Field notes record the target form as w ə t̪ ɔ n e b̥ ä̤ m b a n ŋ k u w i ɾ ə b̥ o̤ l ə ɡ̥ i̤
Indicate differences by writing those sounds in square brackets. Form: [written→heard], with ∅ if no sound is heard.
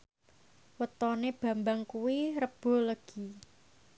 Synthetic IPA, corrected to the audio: w ə t̪ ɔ n e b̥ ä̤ m b a [n→∅] ŋ k u w i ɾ ə b̥ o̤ l ə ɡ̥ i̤